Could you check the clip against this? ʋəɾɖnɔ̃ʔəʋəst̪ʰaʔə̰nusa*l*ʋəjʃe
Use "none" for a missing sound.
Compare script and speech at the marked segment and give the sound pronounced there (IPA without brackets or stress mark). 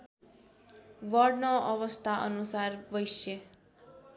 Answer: ɾ